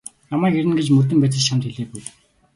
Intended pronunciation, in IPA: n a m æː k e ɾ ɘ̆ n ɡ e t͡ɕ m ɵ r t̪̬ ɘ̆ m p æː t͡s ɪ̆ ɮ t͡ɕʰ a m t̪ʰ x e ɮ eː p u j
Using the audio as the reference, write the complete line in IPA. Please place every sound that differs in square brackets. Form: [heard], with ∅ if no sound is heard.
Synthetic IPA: n a m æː k e ɾ ɘ̆ n ɡ e t͡ɕ m ɵ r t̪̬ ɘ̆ m p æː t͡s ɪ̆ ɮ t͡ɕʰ a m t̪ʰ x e ɮ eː p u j